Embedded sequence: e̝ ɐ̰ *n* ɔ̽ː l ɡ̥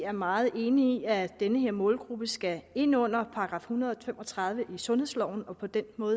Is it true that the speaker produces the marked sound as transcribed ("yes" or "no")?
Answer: no